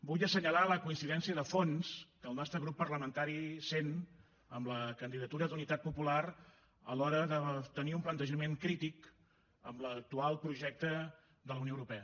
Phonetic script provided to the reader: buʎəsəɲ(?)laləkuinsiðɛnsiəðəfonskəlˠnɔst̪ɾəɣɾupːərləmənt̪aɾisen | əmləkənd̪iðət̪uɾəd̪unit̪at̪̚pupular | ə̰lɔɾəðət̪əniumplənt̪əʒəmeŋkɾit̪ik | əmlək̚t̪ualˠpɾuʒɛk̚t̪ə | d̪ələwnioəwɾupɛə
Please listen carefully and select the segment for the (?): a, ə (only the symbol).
ə